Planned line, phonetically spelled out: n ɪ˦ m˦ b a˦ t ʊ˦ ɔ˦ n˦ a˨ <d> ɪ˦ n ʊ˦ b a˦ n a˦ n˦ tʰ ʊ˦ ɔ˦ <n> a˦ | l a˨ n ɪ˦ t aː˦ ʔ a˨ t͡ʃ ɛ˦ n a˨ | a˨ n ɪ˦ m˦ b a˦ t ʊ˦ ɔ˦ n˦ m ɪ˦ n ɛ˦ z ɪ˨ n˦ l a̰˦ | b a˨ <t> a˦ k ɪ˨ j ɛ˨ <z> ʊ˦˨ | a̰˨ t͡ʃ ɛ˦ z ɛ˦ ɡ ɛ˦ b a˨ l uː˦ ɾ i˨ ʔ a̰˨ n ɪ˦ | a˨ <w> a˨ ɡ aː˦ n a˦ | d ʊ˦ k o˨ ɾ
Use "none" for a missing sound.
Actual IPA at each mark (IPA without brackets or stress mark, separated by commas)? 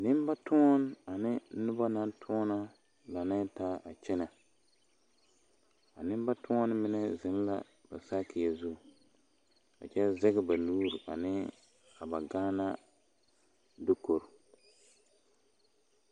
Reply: n, n, s, z, b